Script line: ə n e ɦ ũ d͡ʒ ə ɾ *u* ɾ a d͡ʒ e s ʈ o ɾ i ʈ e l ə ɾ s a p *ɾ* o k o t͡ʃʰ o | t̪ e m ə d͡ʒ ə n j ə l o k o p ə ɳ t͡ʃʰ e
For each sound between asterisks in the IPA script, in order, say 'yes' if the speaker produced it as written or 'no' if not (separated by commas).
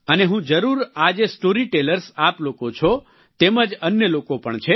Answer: yes, no